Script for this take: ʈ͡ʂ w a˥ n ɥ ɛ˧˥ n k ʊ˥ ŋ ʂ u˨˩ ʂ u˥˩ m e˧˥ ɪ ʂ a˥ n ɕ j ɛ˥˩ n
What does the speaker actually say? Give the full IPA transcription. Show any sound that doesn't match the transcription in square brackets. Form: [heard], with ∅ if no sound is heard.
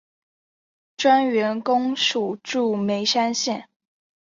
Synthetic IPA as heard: ʈ͡ʂ w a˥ n ɥ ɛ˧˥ n k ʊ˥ ŋ ʂ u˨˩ [ʈ͡ʂ] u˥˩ m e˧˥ ɪ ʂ a˥ n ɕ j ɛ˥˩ n